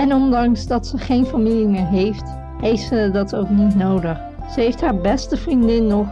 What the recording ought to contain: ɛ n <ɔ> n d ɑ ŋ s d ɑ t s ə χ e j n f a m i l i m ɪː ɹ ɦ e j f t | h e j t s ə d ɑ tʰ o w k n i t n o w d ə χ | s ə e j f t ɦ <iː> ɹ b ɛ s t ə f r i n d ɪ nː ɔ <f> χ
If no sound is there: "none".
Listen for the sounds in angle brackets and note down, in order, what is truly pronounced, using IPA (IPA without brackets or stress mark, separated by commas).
ɔ, aː, none